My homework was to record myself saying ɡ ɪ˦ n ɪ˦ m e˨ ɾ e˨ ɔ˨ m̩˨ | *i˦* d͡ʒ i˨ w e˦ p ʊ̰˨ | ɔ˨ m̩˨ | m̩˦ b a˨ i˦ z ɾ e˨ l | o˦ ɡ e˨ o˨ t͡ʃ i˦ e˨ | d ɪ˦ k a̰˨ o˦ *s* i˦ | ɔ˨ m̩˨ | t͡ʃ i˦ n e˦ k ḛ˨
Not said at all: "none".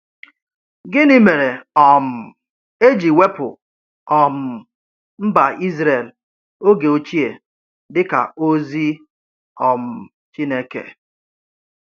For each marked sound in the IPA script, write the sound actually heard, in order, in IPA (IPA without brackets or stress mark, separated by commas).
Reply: e˦, z